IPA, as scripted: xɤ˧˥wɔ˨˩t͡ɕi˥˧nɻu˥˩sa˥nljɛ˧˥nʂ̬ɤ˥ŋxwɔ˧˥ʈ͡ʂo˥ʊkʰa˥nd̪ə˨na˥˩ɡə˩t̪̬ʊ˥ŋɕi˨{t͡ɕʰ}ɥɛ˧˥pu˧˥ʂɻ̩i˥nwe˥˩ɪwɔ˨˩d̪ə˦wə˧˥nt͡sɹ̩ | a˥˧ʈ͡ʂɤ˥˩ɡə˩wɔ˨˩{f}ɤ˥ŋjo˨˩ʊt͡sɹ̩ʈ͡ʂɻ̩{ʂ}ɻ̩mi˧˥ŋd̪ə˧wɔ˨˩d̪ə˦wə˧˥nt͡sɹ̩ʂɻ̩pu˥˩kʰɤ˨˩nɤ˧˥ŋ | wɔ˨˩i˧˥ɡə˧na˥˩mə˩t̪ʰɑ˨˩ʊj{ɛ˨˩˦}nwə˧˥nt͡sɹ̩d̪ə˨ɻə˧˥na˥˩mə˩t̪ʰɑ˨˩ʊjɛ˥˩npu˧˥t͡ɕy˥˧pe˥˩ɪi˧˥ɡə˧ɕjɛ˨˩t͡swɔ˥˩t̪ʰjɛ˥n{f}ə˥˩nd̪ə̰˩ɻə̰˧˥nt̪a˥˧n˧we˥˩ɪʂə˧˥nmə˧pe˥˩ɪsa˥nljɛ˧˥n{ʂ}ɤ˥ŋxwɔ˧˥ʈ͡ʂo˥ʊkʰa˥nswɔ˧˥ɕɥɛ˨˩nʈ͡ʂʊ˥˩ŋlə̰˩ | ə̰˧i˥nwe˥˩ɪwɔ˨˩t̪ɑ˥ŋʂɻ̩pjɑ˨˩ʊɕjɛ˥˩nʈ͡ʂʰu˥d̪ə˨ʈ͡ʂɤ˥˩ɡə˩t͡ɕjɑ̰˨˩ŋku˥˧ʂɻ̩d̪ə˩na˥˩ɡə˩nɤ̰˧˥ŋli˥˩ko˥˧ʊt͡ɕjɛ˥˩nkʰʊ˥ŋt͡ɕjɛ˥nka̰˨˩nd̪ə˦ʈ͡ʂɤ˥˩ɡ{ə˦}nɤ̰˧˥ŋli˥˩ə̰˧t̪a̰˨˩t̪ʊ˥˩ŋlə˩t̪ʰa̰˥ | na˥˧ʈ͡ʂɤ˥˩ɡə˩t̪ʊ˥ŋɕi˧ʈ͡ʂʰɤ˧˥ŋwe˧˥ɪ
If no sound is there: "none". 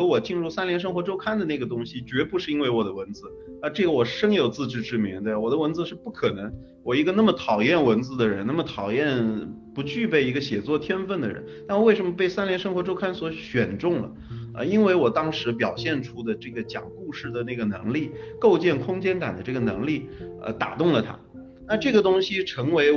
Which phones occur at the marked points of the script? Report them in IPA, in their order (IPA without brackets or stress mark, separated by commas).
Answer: t͡ɕ, ʂ, ʈ͡ʂ, ɛ˥˩, f, ʂ, ə˩